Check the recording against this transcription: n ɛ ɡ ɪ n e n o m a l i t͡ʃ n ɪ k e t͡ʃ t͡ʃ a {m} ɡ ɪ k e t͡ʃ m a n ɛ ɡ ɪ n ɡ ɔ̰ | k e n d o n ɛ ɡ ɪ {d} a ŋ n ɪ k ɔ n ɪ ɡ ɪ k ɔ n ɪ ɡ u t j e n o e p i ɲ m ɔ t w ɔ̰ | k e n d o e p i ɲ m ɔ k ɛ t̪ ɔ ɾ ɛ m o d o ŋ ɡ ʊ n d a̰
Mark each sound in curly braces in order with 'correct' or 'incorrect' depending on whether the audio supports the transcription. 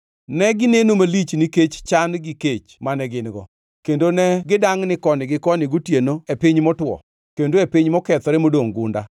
incorrect: n, correct

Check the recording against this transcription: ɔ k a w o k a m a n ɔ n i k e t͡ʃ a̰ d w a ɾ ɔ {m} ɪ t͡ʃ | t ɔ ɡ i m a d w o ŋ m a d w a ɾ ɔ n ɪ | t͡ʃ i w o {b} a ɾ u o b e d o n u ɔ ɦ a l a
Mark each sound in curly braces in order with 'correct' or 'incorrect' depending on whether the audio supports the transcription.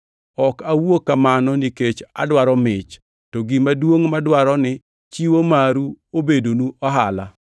correct, incorrect: m

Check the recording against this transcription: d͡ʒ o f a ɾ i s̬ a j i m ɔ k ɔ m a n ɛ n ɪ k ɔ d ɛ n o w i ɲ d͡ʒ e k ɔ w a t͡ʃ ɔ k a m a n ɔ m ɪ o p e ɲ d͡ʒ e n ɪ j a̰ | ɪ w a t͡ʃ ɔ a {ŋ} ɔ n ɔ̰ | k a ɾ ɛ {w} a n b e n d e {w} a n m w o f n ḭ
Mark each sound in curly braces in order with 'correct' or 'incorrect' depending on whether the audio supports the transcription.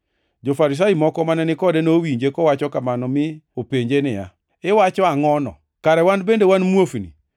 correct, correct, correct

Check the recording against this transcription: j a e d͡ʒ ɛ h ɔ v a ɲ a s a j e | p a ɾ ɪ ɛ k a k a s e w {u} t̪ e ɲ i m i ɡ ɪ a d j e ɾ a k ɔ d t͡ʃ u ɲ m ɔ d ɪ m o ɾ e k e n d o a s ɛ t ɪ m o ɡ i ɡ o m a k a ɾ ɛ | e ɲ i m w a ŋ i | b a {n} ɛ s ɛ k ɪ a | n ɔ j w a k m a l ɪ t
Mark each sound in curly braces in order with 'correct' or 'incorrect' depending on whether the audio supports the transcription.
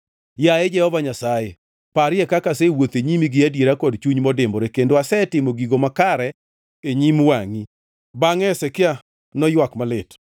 incorrect: o, incorrect: ŋ

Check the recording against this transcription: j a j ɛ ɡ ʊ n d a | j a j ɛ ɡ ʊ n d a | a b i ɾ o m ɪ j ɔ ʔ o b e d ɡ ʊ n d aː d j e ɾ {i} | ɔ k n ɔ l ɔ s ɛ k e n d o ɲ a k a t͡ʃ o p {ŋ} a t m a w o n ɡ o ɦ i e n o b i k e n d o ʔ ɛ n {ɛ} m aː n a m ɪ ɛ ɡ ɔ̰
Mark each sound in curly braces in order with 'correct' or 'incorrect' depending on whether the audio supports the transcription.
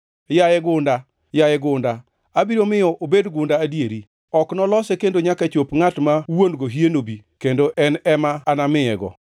correct, correct, correct

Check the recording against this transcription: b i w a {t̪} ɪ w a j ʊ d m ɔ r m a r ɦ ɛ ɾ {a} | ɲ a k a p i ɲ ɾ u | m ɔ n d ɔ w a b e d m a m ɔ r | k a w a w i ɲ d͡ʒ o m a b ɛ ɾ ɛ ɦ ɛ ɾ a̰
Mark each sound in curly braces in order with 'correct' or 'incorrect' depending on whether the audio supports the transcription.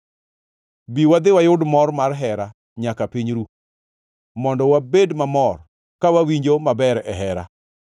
incorrect: d̪, correct

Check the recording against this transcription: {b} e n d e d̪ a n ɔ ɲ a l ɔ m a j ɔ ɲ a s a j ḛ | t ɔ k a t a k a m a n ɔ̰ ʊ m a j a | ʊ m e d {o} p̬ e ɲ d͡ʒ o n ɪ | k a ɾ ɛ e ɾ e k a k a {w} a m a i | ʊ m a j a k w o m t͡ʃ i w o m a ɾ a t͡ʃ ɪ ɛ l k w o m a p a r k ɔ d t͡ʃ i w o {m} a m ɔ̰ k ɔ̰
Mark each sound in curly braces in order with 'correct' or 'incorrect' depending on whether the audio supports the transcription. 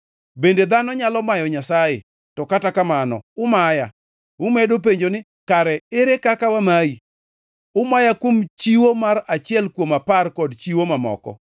correct, correct, correct, correct

